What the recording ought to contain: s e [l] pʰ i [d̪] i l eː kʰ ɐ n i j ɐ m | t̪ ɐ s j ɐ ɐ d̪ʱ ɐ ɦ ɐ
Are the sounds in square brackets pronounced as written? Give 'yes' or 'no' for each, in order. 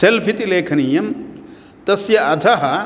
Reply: yes, no

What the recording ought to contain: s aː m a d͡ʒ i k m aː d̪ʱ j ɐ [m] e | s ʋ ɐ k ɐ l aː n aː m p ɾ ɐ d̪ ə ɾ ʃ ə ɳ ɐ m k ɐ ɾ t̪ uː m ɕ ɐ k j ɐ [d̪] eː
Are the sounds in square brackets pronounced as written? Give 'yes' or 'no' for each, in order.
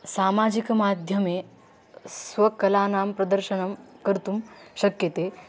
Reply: yes, no

